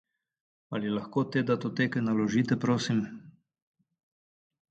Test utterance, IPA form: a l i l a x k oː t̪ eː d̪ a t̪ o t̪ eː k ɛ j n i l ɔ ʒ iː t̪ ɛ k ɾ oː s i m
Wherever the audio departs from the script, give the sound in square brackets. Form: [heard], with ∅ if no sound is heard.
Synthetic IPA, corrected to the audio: a l i l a x k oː t̪ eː d̪ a t̪ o t̪ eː k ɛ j n [a] l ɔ ʒ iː t̪ ɛ [p] ɾ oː s i m

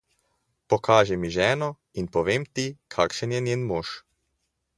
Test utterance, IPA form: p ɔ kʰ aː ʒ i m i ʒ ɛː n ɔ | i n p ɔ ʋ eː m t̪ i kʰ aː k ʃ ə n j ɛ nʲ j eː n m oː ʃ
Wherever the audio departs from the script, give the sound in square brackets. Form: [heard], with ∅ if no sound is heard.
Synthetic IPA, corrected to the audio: p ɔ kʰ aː ʒ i m i ʒ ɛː n ɔ | i n p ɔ ʋ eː m t̪ i kʰ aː k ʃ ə n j ɛ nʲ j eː n m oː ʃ

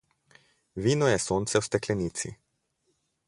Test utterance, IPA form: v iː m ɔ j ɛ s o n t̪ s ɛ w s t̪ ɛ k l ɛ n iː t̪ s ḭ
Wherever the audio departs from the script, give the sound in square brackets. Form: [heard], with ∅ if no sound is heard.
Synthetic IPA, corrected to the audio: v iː [n] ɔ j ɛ s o n t̪ s ɛ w s t̪ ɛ k l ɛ n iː t̪ s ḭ

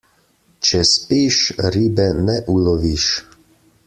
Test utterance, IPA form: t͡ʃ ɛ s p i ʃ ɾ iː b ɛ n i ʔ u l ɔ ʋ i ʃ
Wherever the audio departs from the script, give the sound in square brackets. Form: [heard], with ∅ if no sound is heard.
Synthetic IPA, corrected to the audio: t͡ʃ ɛ s p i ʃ ɾ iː b ɛ n [ɛ] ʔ u l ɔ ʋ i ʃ

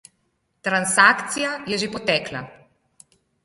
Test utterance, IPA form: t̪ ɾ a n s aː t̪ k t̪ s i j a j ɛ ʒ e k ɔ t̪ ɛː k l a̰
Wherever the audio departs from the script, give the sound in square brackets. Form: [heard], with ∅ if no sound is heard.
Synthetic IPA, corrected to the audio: t̪ ɾ a n s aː [∅] k t̪ s i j a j ɛ ʒ e [p] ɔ t̪ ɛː k l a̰

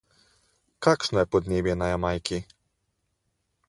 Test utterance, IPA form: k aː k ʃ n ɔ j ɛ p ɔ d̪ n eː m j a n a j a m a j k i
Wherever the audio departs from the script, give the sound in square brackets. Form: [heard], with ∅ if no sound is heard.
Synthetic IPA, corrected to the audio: k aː k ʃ n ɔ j ɛ p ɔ d̪ n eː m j [ɛ] n a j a m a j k i

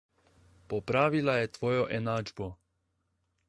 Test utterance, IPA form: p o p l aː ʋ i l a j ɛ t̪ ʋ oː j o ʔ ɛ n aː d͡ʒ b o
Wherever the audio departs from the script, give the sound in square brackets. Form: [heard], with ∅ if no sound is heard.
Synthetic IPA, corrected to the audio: p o p [ɾ] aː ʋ i l a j ɛ t̪ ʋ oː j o ʔ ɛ n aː d͡ʒ b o

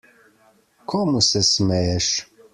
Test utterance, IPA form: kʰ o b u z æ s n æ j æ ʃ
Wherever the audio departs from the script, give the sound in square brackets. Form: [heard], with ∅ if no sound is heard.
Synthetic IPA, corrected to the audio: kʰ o [m] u [s] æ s [m] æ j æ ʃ

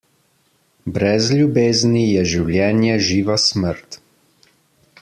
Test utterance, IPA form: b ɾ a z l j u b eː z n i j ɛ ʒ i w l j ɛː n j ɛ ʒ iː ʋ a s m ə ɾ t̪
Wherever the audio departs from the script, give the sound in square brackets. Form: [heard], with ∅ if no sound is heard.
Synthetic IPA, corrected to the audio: b ɾ [ɛ] z l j u b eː z n i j ɛ ʒ i w l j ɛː n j ɛ ʒ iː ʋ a s m ə ɾ t̪

